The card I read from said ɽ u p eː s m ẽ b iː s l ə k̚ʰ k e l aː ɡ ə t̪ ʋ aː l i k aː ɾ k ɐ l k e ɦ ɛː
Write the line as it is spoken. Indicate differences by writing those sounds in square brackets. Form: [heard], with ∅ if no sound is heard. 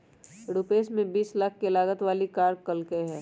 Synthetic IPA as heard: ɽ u p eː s m ẽ b iː s l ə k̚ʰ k e l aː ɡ ə t̪ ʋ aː l i k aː ɾ k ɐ l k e ɦ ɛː